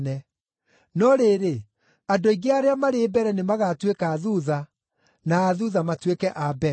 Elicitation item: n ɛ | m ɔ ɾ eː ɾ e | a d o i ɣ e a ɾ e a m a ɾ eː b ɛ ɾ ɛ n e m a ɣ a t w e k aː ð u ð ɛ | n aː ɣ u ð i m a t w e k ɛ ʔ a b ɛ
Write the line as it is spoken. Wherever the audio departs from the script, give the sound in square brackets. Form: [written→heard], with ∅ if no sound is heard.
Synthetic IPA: n ɛ | [m→n] ɔ ɾ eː ɾ e | a d o i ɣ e a ɾ e a m a ɾ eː b ɛ ɾ ɛ n e m a ɣ a t w e k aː ð u ð [ɛ→a] | n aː [ɣ→ð] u ð [i→a] m a t w e k ɛ ʔ a b ɛ